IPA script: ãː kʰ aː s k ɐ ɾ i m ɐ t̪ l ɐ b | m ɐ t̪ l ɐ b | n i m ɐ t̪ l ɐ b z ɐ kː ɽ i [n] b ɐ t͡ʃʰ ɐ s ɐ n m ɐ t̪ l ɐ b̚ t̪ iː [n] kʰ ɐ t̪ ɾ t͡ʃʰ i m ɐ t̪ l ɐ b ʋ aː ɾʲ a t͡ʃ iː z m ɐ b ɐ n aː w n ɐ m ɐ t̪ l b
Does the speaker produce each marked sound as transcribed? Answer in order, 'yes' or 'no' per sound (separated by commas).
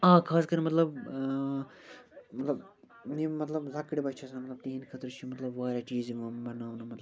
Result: no, yes